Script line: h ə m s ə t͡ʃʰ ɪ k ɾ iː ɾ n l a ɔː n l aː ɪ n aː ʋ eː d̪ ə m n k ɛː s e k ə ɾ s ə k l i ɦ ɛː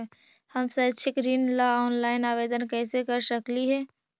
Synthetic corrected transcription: h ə m s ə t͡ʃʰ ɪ k ɾ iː n l a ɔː n l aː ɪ n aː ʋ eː d̪ ə n k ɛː s e k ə ɾ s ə k l i ɦ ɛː